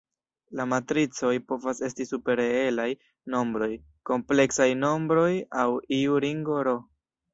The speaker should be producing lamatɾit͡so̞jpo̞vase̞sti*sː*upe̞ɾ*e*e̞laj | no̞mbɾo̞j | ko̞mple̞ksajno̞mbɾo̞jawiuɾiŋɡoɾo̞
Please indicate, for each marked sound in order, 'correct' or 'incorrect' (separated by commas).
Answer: incorrect, correct